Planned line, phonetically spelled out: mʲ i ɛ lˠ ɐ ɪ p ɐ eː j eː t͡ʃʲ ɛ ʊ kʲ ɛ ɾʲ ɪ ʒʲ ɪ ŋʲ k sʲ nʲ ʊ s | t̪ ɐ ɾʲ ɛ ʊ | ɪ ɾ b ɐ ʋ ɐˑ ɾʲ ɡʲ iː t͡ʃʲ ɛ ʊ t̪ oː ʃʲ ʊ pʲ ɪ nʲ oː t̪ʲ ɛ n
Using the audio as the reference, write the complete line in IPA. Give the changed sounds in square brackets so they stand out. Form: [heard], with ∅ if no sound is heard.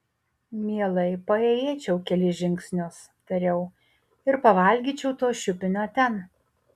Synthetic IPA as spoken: mʲ i ɛ lˠ ɐ ɪ p ɐ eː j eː t͡ʃʲ ɛ ʊ kʲ ɛ [lʲ] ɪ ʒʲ ɪ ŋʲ k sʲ nʲ ʊ s | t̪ ɐ ɾʲ ɛ ʊ | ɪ ɾ [p] ɐ ʋ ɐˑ [lʲ] ɡʲ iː t͡ʃʲ ɛ ʊ t̪ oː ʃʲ ʊ pʲ ɪ nʲ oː t̪ʲ ɛ n